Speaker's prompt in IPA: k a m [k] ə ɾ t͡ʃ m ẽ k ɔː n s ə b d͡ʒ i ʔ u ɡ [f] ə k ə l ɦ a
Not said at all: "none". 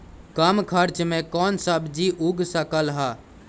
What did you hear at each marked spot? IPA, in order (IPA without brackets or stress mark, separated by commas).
kʰ, s